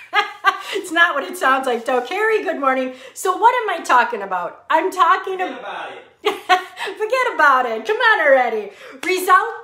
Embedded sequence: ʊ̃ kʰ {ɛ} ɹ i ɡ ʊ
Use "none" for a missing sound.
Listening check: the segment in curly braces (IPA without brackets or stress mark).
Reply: ɛ